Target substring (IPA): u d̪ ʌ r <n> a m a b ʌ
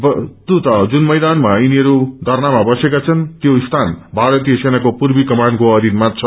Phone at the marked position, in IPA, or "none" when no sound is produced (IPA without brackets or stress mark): n